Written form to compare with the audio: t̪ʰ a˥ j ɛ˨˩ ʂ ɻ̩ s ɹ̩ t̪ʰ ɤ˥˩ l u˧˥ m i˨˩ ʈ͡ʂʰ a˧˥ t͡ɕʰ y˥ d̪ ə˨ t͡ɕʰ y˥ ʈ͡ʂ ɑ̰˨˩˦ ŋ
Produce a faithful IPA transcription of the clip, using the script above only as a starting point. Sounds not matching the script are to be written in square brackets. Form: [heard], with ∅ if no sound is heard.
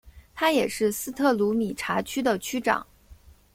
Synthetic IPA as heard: t̪ʰ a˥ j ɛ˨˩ ʂ ɻ̩ s ɹ̩ t̪ʰ ɤ˥˩ l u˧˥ m i˨˩ ʈ͡ʂʰ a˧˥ t͡ɕʰ y˥ d̪ ə˨ t͡ɕʰ y˥ ʈ͡ʂ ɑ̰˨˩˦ ŋ